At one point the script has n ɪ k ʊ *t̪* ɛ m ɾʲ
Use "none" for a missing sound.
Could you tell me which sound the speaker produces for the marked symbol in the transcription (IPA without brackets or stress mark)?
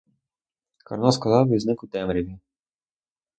t̪